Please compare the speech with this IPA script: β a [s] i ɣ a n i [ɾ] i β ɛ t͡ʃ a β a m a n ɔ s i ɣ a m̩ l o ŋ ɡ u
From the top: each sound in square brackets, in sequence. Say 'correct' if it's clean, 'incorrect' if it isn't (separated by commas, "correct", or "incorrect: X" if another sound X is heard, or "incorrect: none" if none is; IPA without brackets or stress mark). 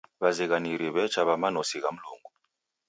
incorrect: z, correct